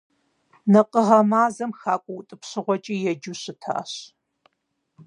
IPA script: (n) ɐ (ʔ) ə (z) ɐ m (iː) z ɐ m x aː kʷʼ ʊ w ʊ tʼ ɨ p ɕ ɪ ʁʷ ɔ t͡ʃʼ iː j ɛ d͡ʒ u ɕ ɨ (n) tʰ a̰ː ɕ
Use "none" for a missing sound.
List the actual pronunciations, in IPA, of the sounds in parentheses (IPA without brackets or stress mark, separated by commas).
n, q, ʁ, aː, none